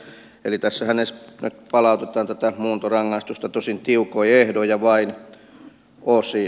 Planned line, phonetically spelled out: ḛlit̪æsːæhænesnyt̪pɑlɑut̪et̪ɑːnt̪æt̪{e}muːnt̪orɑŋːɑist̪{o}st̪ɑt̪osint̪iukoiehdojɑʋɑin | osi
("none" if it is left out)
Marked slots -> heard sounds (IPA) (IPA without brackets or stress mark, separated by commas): æ, u